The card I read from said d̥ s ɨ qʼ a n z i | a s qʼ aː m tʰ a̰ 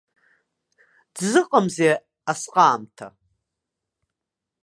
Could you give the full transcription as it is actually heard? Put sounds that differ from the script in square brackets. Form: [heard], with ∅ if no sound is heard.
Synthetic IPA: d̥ [z] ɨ qʼ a [m] z [e] | a s qʼ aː m tʰ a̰